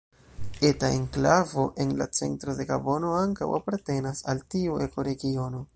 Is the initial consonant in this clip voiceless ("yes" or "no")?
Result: yes